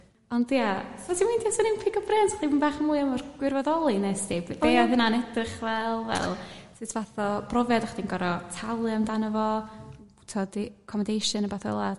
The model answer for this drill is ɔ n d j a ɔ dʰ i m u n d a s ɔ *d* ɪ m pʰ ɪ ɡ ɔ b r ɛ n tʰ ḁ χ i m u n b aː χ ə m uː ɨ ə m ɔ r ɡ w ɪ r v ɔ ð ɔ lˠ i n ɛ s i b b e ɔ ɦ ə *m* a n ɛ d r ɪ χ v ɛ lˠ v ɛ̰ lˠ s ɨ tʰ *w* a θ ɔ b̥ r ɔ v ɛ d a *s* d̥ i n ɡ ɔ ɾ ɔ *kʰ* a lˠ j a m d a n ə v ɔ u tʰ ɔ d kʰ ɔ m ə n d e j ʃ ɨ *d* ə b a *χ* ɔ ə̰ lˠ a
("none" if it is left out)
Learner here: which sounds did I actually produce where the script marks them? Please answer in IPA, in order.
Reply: n, n, v, χ, tʰ, n, θ

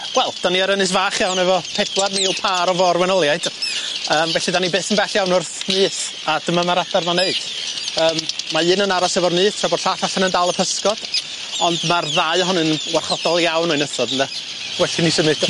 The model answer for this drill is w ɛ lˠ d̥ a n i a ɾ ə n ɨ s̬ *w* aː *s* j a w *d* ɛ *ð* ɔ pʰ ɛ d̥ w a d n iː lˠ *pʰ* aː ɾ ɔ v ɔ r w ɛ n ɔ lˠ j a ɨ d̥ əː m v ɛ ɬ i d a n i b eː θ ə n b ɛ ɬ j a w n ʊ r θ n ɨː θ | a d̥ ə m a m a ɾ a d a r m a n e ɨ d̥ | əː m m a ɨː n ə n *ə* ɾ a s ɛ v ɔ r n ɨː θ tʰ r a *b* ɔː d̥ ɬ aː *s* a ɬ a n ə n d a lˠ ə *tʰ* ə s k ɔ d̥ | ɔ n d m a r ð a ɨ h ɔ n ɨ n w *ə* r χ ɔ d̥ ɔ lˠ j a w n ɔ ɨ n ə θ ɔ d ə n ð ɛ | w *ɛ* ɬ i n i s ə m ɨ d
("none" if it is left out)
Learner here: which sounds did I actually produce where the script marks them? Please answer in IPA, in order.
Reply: v, χ, n, v, pʰ, a, b, θ, pʰ, a, ɛ

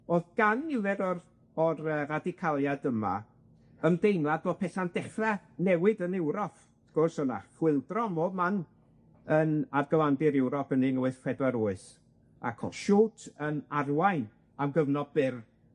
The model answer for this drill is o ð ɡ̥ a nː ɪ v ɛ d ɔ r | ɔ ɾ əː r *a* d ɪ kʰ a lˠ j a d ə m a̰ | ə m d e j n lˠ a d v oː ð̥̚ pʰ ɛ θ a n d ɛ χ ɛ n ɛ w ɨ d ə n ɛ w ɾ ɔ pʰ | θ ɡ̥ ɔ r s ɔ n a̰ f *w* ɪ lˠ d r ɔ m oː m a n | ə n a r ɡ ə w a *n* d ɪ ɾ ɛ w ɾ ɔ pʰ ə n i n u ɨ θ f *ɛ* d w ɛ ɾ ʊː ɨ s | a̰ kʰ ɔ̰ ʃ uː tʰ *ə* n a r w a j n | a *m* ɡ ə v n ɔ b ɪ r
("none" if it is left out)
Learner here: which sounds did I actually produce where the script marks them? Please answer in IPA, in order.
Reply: a, w, n, ɛ, ə, m

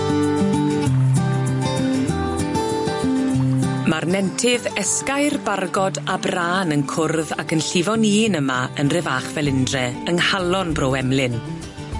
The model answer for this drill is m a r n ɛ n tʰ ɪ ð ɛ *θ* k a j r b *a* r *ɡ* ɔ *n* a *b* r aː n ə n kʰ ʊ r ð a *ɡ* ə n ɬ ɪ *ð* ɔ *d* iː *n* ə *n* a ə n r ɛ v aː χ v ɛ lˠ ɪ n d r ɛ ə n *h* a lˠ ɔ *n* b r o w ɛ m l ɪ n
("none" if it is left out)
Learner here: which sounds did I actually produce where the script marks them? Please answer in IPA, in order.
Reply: s, a, ɡ, d, b, k, v, n, n, m, h, n

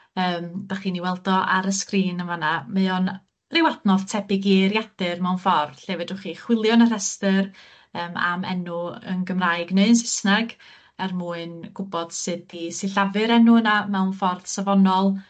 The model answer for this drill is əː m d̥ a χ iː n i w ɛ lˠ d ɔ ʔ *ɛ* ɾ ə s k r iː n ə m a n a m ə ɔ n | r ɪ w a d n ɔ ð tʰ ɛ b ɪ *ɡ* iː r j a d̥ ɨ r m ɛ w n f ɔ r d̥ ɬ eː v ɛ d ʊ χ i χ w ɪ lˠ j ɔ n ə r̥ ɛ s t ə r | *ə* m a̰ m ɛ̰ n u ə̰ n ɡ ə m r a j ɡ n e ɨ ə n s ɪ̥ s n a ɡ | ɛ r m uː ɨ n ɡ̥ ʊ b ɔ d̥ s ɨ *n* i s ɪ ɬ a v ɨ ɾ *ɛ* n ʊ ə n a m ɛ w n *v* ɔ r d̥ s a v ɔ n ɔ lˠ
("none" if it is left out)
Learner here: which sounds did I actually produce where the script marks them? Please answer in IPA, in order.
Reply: a, ɡ, əː, d, ɛ, f

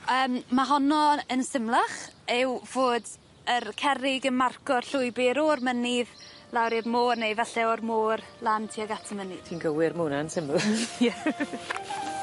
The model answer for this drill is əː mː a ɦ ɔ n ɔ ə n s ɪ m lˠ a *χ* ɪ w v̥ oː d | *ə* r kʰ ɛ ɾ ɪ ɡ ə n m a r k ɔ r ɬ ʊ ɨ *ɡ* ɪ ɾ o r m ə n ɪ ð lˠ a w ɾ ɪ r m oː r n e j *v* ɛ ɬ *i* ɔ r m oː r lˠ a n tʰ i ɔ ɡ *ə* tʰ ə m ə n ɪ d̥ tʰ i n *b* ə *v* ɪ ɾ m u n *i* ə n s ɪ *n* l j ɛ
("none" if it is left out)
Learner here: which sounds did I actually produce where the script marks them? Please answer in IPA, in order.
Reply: χ, ə, b, v, ɛ, a, ɡ, w, a, m

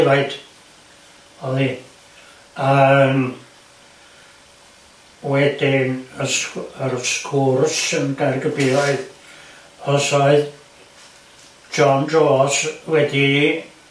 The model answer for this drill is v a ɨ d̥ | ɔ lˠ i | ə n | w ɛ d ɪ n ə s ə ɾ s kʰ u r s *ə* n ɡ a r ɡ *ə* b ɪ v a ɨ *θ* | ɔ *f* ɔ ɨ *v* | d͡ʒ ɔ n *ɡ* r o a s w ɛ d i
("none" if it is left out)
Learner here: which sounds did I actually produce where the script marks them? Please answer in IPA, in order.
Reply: ə, ə, ð, s, ð, d

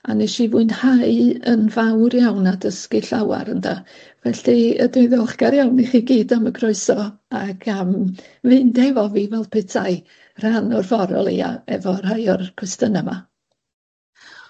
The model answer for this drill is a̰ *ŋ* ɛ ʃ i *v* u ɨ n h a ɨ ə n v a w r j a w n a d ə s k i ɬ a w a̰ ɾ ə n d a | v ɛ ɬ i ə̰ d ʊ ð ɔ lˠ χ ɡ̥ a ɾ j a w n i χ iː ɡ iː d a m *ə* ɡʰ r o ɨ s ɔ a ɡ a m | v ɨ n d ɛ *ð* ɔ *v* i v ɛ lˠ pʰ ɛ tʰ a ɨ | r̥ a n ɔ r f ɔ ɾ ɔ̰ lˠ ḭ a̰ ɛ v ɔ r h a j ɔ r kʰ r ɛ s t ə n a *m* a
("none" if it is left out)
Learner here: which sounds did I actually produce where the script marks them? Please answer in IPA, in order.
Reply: n, v, ə, v, v, m

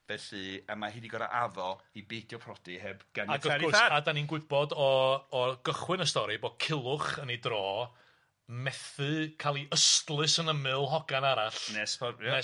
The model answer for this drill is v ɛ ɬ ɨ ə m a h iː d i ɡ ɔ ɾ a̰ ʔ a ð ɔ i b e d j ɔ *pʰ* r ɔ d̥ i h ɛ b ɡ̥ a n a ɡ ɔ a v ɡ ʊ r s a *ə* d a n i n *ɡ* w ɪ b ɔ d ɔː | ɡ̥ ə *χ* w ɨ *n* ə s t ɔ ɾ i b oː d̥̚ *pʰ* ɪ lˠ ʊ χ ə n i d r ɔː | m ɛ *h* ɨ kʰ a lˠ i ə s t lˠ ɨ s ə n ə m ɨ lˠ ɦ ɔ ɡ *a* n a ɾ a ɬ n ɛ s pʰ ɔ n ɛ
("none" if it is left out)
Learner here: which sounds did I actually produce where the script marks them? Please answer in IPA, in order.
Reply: pʰ, a, ɡ, χ, n, kʰ, θ, a

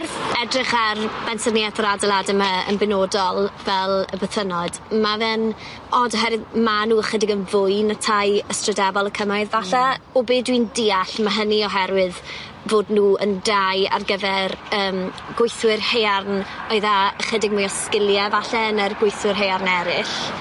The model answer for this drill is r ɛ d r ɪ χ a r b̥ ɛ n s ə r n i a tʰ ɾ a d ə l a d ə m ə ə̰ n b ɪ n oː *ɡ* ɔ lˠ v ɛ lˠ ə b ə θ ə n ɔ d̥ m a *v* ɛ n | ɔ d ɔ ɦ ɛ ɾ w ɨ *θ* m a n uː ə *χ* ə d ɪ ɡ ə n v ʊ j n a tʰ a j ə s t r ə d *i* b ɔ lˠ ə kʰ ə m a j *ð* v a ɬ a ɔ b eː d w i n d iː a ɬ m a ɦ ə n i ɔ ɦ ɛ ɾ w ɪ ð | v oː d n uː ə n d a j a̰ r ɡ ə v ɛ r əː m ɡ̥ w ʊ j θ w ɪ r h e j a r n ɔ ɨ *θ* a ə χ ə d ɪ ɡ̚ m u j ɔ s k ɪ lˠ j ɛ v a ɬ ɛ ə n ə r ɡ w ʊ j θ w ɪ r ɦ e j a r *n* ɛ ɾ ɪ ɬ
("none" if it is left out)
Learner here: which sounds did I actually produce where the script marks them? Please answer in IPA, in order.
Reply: d, v, ð, χ, ɛ, ð, ð, n

